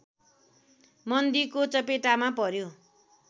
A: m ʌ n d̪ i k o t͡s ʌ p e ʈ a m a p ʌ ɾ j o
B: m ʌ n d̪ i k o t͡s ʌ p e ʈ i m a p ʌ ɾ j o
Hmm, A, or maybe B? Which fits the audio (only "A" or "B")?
A